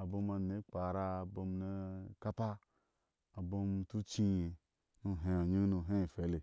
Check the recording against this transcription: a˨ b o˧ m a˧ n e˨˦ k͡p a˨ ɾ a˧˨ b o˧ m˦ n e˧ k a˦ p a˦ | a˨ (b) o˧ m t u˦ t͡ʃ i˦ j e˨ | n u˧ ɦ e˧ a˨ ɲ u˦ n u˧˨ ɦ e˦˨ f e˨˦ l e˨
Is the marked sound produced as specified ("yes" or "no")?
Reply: yes